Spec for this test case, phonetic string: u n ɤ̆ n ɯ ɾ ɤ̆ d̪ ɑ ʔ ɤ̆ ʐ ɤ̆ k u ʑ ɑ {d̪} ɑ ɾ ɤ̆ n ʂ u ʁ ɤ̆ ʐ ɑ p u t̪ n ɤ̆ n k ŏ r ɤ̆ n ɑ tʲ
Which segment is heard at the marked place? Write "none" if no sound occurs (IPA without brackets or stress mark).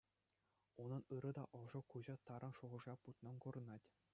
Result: t̪